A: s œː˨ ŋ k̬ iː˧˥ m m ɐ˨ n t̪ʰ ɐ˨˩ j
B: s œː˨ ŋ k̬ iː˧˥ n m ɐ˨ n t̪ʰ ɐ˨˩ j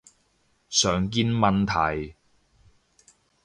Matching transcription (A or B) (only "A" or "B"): B